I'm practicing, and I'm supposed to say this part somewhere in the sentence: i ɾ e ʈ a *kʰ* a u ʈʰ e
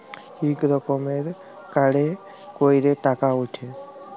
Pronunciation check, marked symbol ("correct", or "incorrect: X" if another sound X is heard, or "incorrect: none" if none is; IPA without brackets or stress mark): incorrect: k